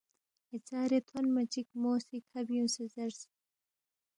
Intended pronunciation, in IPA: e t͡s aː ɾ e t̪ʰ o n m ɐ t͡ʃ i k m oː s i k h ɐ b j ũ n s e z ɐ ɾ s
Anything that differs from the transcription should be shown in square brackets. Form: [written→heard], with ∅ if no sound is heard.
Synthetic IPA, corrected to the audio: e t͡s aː ɾ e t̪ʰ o n m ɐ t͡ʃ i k m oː s i k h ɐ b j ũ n s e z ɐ ɾ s